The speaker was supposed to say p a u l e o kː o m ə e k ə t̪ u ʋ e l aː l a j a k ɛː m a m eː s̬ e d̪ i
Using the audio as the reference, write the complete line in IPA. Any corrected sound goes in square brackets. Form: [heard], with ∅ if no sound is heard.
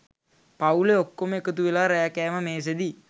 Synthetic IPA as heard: p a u l e o kː o m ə e k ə t̪ u ʋ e l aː [ɾ] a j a k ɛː m [ə] m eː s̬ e d̪ i